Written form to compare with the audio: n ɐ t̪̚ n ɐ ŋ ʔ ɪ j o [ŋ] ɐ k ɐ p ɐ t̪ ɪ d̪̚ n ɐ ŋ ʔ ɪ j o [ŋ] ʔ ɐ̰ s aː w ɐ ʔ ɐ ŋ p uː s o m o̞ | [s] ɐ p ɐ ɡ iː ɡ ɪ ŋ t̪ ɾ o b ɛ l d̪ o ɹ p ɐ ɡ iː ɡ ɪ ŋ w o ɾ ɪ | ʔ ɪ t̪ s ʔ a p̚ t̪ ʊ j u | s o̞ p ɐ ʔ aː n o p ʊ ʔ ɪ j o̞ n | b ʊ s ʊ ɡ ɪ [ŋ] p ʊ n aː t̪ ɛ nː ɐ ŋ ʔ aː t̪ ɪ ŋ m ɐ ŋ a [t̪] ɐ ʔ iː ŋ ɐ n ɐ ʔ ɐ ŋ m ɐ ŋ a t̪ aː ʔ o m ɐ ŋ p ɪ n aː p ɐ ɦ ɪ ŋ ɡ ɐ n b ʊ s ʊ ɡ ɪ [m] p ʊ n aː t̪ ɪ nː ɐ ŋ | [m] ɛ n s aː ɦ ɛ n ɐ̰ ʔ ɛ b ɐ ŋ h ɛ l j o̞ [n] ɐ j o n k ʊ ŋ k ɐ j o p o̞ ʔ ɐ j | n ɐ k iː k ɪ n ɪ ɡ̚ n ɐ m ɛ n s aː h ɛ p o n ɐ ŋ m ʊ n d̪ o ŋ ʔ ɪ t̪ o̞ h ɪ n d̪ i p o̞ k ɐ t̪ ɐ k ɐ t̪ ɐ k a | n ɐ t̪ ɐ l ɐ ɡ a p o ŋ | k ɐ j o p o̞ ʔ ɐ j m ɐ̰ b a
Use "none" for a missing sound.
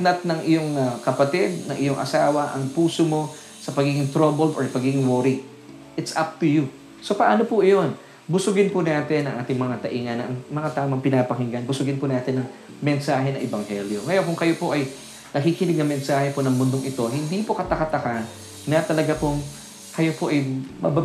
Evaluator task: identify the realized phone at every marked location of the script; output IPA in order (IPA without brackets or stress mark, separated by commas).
ŋ, ŋ, s, n, t̪, n, m, ŋ